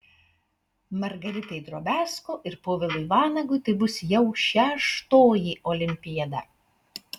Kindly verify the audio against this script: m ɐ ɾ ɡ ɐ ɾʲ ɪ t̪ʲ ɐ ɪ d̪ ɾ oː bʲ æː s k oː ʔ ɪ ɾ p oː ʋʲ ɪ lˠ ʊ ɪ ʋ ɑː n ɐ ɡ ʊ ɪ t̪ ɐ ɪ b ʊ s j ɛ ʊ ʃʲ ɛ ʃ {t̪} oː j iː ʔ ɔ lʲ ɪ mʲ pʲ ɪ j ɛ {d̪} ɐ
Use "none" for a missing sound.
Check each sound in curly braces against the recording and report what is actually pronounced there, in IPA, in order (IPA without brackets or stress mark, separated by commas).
t̪, d̪